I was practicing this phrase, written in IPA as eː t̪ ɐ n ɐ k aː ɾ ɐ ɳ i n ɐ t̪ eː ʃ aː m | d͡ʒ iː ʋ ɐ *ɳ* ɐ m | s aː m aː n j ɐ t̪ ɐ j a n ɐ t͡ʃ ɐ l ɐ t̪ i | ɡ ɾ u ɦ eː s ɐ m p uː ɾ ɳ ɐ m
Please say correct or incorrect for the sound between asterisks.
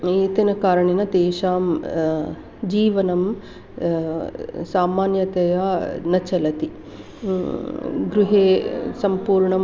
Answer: incorrect